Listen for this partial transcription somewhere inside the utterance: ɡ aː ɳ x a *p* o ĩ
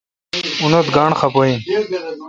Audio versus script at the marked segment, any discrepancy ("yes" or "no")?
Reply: no